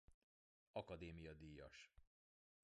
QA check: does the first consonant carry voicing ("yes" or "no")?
no